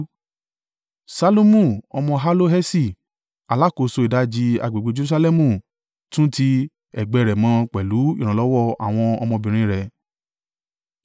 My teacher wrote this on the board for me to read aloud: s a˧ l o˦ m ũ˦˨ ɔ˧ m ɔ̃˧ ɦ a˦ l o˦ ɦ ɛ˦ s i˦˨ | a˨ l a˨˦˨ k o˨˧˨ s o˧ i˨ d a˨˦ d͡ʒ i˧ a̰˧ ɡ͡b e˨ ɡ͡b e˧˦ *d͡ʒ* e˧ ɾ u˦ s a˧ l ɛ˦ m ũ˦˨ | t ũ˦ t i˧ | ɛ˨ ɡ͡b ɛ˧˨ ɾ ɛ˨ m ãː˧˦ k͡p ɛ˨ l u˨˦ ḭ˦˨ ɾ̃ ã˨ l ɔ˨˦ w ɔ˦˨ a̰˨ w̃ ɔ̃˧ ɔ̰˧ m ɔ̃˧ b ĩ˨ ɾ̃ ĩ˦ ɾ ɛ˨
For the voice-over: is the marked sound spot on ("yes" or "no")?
yes